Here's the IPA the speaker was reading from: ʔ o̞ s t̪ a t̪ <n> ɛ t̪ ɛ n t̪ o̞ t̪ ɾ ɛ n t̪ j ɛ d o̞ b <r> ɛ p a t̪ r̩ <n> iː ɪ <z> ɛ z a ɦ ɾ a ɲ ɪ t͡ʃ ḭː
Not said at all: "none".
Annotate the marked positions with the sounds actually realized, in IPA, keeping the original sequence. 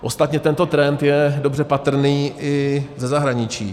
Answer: ɲ, r, n, z

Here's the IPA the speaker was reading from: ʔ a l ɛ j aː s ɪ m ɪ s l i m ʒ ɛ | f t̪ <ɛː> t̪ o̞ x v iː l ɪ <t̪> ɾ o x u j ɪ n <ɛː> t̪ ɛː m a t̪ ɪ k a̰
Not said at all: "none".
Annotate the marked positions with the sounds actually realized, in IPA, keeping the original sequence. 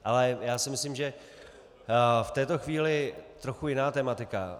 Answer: ɛː, t̪, aː

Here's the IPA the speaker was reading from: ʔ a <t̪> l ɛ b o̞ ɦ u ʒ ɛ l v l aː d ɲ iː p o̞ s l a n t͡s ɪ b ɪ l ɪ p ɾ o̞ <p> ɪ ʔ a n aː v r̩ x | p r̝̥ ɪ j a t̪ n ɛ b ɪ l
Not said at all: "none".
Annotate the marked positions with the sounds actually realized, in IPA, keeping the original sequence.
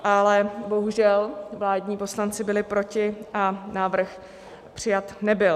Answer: none, c

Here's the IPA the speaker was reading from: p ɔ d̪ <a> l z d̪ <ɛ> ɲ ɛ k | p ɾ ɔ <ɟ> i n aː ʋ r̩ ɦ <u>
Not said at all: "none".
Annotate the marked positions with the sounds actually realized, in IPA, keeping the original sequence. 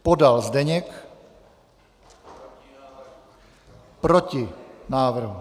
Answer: a, ɛ, c, u

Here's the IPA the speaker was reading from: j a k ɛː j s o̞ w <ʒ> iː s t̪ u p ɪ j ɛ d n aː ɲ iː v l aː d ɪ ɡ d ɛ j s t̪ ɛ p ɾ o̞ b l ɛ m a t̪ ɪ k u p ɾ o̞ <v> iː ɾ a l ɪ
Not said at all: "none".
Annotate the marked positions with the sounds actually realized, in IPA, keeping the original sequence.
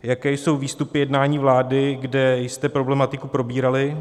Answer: v, b

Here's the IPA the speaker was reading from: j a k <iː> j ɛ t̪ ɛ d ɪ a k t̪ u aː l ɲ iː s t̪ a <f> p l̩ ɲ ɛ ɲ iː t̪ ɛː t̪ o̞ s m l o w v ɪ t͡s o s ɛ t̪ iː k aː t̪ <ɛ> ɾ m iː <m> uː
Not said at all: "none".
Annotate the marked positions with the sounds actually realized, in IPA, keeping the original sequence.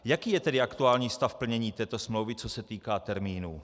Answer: iː, f, ɛ, n

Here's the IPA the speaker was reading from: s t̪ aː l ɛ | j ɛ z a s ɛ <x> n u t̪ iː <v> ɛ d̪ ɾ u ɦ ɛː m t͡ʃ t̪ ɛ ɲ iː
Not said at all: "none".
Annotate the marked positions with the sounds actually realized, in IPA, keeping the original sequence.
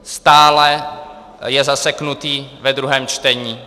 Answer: k, v

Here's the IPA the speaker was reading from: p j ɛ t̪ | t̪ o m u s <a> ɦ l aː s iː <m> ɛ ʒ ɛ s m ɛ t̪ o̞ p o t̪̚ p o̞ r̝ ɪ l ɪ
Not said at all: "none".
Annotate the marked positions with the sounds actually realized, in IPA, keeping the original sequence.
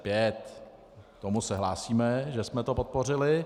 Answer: ɛ, m

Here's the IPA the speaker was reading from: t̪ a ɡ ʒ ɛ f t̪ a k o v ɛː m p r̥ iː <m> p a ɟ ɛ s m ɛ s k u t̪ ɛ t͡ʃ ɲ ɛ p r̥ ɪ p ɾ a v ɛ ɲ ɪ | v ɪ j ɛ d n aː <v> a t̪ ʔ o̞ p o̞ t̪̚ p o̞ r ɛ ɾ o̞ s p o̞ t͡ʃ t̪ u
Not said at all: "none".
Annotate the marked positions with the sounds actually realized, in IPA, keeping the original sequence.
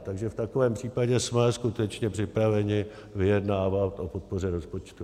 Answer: none, v

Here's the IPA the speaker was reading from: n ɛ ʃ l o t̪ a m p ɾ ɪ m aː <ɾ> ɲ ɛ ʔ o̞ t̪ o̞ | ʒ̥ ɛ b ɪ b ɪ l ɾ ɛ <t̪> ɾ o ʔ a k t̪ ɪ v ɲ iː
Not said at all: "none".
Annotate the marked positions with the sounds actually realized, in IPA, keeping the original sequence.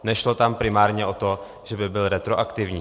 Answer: ɾ, t̪

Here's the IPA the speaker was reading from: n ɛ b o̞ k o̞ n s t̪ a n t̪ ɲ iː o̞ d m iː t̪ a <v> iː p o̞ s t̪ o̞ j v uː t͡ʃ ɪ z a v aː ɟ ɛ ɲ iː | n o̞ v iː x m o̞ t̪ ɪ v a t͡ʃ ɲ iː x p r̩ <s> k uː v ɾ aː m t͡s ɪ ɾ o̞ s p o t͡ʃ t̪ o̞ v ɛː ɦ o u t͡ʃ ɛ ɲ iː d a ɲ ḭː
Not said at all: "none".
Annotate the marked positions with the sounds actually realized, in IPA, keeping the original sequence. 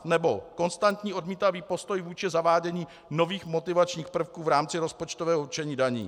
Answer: v, f

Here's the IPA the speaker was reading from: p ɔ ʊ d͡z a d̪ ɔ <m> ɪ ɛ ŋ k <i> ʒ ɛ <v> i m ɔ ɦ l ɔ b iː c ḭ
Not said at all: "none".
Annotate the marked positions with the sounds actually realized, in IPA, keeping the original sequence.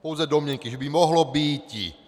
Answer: m, i, b

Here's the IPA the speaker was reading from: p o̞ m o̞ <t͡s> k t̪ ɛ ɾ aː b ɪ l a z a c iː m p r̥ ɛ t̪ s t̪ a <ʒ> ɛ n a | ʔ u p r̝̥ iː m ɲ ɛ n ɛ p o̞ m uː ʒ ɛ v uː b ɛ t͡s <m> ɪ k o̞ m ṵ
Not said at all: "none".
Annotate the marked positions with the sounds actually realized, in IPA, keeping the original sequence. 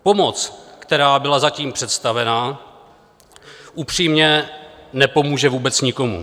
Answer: t͡s, v, ɲ

